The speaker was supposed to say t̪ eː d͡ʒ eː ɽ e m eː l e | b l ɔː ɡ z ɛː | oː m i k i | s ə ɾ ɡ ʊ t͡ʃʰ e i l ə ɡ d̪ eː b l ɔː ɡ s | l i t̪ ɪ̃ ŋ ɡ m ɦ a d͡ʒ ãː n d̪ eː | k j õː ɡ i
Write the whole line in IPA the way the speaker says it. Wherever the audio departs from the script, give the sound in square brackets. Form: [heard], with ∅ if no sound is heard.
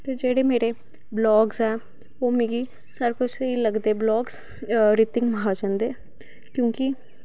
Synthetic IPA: t̪ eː d͡ʒ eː ɽ e m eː [ɾ] e | b l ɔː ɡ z ɛː | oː m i [ɡ] i | s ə ɾ [k] ʊ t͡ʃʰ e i l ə ɡ d̪ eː b l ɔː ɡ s | [ɾ] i t̪ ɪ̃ ŋ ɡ m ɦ a d͡ʒ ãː n d̪ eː | k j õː [k] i